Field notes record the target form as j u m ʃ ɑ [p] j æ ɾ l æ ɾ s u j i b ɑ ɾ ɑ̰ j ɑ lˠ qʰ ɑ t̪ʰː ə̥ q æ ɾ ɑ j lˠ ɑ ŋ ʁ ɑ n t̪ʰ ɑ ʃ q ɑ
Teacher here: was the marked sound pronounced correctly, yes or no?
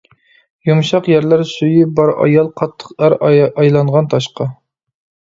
no